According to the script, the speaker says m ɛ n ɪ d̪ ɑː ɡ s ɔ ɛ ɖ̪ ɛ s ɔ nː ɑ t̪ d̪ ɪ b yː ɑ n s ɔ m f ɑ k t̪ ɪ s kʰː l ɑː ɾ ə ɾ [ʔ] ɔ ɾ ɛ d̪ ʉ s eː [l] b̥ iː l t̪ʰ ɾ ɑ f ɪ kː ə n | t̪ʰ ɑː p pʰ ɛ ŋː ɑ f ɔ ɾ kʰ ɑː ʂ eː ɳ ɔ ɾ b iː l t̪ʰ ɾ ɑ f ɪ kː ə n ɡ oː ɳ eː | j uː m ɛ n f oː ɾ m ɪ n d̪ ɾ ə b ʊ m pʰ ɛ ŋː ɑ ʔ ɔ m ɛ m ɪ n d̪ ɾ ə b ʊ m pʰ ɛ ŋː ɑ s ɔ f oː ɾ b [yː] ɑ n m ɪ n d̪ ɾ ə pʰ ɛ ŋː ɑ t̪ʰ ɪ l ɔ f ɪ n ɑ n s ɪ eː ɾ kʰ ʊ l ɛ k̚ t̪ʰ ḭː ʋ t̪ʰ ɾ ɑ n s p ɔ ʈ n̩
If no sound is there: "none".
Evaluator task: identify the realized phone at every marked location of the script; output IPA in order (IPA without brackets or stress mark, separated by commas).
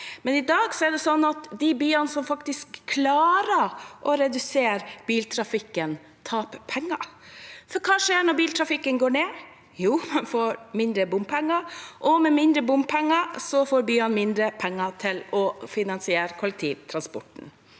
ʔ, ɾ, yː